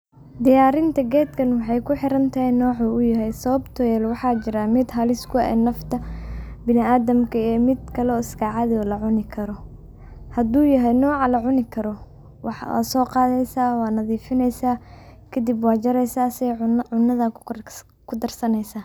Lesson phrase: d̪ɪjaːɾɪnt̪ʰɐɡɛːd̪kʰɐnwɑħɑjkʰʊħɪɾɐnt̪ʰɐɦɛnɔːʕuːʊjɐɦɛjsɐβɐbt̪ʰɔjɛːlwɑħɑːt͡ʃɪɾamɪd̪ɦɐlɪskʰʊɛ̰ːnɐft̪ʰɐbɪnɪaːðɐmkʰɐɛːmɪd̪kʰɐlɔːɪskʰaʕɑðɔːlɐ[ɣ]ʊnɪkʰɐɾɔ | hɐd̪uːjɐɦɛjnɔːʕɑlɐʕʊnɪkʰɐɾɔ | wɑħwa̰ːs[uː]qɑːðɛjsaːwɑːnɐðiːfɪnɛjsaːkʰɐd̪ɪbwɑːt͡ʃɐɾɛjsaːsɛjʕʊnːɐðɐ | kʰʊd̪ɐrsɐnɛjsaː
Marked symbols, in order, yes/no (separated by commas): no, no